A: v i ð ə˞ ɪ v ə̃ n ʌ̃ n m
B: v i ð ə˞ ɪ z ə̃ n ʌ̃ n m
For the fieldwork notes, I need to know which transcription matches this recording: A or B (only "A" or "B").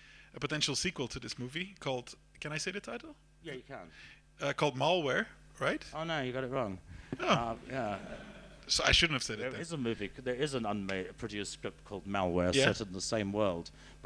B